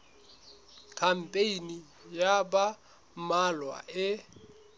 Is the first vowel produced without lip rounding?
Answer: yes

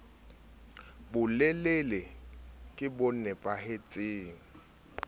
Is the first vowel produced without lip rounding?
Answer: no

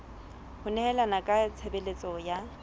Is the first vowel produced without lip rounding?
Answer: no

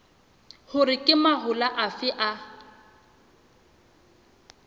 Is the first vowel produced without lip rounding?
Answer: no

